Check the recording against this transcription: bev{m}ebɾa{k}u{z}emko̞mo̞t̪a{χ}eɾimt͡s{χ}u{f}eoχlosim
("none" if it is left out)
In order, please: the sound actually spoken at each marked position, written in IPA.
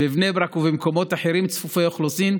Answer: n, k, v, ħ, f, f

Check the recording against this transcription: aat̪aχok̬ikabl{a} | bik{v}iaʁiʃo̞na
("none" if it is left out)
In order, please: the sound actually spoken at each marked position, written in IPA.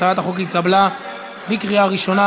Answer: a, ʁ

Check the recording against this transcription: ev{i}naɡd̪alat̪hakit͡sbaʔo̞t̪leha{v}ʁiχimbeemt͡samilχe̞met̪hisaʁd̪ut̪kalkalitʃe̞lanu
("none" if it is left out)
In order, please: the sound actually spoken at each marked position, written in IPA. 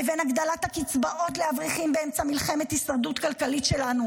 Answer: e, v

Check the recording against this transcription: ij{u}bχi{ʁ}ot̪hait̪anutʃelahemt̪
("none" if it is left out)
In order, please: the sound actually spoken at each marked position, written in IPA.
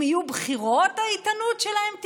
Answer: u, ʁ

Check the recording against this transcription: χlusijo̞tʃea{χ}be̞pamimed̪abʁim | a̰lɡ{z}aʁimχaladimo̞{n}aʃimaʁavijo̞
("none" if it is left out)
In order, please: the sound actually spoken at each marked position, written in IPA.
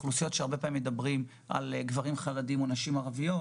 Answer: ʁ, v, n

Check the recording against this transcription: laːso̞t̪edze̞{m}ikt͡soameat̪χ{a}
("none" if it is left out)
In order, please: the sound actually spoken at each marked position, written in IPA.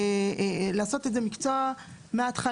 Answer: m, a

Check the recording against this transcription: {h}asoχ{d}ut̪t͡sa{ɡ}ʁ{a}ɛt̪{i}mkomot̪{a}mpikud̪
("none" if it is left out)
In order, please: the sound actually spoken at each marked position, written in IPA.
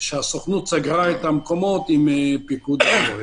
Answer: ʃ, n, ɡ, a, a, i

